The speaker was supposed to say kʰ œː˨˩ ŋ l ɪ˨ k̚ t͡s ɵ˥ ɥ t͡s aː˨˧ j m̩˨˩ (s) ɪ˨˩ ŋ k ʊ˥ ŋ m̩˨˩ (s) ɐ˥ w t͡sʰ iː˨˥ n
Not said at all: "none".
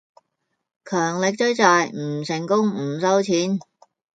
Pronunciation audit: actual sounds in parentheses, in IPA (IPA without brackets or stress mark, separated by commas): s, s